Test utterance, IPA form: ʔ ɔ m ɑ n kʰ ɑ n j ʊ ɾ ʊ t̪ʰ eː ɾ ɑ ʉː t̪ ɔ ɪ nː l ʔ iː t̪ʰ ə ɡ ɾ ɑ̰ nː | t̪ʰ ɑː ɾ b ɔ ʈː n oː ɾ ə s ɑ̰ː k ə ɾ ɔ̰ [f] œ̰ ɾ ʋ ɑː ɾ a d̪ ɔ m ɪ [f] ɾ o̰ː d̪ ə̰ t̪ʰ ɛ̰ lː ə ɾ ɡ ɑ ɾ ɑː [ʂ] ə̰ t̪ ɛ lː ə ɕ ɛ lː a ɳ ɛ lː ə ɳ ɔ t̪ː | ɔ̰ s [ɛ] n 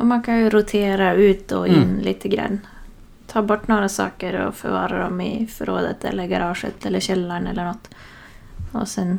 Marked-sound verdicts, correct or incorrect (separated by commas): correct, correct, correct, correct